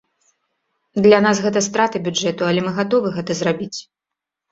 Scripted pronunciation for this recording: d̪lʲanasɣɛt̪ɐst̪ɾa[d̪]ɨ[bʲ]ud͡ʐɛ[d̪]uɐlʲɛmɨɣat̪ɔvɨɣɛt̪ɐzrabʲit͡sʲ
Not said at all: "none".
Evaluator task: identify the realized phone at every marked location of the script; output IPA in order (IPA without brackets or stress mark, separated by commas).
t̪, bʲ, t̪